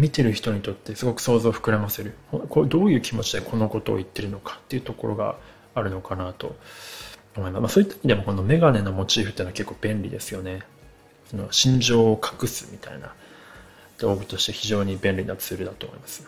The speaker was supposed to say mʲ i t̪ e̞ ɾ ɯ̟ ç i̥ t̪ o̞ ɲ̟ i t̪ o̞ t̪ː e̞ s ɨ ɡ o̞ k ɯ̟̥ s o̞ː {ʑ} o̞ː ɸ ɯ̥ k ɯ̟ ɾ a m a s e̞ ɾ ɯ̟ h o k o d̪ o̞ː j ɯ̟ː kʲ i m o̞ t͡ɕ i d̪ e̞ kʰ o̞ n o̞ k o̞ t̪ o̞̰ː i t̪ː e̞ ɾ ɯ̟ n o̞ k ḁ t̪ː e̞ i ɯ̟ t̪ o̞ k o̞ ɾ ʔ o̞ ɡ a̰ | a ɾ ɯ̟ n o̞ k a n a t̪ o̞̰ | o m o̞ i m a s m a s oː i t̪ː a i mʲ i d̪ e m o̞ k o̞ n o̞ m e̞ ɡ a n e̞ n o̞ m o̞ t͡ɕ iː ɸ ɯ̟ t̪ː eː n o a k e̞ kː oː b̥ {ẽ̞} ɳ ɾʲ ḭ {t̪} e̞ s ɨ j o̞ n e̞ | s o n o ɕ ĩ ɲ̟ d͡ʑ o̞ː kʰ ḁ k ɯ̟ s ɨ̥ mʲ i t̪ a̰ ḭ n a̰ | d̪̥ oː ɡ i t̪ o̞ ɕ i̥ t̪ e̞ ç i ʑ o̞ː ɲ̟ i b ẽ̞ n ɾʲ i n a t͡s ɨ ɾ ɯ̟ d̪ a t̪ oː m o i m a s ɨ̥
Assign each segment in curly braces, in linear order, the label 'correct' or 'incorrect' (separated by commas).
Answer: incorrect, correct, incorrect